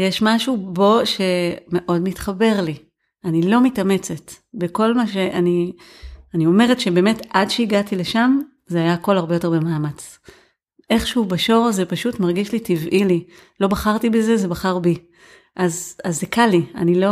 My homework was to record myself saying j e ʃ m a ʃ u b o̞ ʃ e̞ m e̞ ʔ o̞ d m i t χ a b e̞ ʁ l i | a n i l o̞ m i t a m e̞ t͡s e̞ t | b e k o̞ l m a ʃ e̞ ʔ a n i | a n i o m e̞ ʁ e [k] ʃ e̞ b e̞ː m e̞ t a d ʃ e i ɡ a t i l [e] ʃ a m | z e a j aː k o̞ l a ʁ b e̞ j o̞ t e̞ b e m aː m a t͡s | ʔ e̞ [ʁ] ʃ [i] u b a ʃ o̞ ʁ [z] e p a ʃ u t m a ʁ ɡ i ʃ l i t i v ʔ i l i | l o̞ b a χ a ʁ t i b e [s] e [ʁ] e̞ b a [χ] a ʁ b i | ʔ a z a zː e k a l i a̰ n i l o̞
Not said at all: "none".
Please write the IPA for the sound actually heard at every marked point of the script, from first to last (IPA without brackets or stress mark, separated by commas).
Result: t, e, χ, e, z, z, z, χ